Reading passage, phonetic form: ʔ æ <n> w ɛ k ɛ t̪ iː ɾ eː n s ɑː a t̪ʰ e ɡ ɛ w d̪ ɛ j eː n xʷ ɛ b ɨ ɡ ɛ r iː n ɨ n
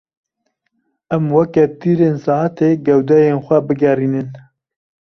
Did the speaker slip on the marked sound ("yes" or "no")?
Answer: yes